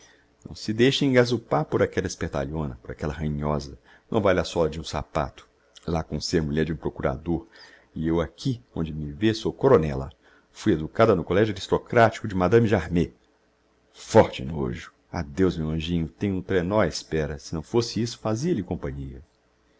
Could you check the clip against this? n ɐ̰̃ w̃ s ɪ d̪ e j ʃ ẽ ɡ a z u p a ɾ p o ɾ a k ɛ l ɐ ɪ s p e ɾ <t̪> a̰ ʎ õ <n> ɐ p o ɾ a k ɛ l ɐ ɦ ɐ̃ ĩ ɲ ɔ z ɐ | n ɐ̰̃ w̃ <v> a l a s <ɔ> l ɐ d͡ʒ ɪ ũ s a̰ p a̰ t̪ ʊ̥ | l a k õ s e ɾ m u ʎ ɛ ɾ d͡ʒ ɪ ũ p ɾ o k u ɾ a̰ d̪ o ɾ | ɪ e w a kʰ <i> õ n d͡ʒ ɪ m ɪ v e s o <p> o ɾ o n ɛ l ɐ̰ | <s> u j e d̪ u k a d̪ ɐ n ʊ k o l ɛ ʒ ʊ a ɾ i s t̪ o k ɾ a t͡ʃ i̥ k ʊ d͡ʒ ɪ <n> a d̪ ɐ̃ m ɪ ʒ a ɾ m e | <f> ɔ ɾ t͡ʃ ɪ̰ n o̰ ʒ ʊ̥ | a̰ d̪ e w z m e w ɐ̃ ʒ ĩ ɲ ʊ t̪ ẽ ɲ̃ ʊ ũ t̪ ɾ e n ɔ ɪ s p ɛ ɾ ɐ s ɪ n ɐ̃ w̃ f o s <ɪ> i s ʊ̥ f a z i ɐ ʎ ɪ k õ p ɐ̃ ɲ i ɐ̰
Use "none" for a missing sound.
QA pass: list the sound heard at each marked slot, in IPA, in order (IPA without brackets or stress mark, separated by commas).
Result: t̪, n, v, ɔ, i, k, f, m, f, ɪ